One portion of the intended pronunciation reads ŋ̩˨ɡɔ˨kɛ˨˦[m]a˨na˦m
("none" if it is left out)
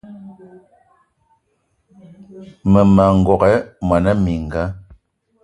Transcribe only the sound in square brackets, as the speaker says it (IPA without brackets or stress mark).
m